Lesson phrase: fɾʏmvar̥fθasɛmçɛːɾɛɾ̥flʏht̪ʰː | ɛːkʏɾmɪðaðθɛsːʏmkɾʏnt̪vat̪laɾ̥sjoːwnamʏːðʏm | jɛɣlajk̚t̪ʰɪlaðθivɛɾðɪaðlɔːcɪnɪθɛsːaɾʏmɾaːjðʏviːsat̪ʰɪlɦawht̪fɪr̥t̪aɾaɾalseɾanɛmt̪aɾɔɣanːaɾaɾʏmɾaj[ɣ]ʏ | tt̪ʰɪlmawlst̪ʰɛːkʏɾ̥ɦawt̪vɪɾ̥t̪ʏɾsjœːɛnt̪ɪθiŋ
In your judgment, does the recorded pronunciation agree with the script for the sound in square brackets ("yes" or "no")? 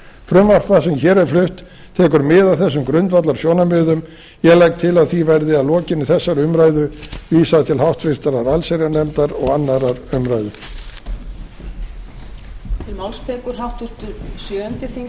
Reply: no